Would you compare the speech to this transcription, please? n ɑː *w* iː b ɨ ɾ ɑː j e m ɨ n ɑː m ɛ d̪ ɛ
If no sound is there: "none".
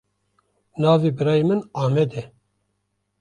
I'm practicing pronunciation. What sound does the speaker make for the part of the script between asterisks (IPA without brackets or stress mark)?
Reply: v